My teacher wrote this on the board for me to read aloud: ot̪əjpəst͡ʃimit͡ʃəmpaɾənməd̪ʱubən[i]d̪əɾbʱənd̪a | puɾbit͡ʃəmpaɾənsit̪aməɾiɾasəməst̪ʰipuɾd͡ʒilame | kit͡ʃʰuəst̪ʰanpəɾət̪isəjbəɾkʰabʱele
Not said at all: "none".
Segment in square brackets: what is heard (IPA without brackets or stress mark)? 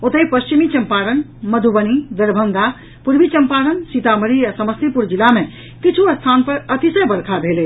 i